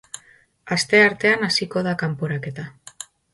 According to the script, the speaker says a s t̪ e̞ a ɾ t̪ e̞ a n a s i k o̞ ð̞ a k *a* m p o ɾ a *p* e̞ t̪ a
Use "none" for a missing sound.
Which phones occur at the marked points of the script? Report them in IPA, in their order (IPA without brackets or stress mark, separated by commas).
a, k